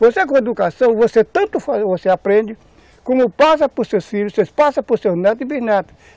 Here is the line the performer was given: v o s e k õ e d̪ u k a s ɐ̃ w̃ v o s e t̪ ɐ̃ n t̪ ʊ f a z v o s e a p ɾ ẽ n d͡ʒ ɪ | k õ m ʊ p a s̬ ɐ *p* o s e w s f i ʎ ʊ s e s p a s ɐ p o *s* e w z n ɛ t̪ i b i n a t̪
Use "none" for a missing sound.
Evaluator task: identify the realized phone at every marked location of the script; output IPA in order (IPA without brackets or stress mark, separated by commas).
p, s